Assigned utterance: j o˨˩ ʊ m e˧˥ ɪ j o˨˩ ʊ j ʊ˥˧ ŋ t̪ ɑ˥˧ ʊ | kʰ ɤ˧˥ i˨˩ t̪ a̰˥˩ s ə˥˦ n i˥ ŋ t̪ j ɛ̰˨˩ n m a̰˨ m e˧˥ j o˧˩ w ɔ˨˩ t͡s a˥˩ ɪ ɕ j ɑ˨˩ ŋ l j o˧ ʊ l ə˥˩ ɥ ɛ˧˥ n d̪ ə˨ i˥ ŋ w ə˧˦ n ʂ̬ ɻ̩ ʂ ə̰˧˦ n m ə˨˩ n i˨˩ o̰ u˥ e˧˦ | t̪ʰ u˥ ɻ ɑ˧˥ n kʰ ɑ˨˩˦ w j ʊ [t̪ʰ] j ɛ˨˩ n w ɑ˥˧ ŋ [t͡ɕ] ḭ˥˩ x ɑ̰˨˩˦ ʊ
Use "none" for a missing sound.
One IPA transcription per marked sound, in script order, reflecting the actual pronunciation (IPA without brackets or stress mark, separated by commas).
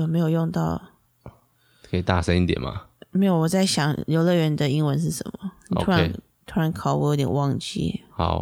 t̪, t͡ɕ